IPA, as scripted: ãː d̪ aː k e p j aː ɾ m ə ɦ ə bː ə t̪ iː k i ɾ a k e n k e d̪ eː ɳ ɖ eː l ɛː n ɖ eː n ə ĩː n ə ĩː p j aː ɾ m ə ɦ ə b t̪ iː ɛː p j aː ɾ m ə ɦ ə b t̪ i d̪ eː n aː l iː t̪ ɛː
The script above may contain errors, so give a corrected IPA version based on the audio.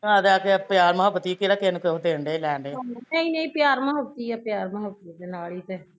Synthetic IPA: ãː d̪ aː k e p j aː ɾ m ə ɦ ə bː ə t̪ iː k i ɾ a k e n k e d̪ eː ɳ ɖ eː l ɛː ɳ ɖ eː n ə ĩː n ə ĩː p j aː ɾ m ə ɦ ə b t̪ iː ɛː p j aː ɾ m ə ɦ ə b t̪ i d̪ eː n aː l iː t̪ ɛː

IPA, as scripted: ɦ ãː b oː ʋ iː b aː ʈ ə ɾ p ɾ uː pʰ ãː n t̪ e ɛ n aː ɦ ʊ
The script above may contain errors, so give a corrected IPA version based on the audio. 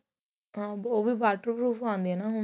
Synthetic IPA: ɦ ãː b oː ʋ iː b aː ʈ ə ɾ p ɾ uː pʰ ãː n d̪ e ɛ n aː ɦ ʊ

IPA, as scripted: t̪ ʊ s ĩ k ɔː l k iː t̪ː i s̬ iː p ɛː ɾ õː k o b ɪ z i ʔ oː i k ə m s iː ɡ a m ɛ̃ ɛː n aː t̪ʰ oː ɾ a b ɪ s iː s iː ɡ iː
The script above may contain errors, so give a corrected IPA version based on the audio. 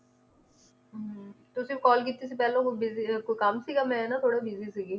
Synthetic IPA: t̪ ʊ s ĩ k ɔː l k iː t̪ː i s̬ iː p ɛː l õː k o b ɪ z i k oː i k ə m s iː ɡ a m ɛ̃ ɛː n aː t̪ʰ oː ɽ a b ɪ z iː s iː ɡ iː

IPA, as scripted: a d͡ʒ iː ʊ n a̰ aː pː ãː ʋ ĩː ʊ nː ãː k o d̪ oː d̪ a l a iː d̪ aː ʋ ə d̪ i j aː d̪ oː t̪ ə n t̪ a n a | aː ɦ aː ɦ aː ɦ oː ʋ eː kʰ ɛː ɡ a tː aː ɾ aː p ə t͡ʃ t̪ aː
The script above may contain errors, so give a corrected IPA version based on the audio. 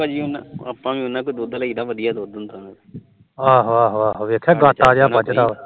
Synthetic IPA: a d͡ʒ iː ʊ n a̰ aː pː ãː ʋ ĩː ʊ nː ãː k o d̪ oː d̪ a l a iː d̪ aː ʋ ə d̪ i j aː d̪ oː d̪ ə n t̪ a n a | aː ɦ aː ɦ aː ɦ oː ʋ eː kʰ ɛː ɡ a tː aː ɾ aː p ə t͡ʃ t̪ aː

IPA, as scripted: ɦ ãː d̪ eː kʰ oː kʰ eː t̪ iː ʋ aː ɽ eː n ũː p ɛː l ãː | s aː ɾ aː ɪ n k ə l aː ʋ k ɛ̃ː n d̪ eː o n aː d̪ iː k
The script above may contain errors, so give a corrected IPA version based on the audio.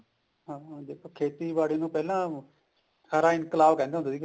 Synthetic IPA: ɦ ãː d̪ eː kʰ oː kʰ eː t̪ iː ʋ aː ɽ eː n ũː p ɛː l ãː | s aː ɾ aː ɪ n k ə l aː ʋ k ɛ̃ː n d̪ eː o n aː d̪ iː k

